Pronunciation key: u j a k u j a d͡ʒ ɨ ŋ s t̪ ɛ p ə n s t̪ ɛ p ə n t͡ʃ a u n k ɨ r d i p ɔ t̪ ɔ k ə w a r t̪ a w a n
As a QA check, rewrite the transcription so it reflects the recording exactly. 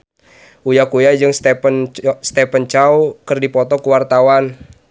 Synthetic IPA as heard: u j a k u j a d͡ʒ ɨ ŋ s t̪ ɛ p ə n s t̪ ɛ p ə n t͡ʃ a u k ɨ r d i p ɔ t̪ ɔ k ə w a r t̪ a w a n